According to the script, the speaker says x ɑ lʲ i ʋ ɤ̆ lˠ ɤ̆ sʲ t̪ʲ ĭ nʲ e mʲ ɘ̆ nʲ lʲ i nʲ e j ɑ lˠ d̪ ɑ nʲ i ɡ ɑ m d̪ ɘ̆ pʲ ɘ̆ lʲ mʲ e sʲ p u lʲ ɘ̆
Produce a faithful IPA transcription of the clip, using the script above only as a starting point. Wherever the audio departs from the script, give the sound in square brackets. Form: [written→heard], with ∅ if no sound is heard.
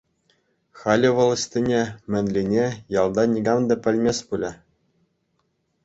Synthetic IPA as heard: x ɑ lʲ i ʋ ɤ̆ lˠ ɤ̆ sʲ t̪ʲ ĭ nʲ e mʲ ɘ̆ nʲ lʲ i nʲ e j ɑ lˠ d̪ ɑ nʲ i ɡ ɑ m d̪ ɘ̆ pʲ ɘ̆ lʲ mʲ e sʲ p u lʲ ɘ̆